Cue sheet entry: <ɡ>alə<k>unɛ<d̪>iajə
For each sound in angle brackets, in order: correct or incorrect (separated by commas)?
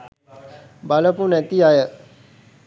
incorrect, incorrect, incorrect